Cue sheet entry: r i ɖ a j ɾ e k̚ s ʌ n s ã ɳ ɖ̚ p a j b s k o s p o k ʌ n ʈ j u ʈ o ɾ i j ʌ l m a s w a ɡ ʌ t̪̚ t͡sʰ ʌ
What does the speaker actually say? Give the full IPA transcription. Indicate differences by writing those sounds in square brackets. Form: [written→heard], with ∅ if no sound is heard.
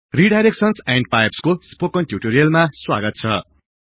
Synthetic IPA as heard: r i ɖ a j ɾ e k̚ s ʌ n s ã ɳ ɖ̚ p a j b s k o s p o k ʌ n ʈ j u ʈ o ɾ i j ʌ l m a s w a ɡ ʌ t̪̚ t͡sʰ ʌ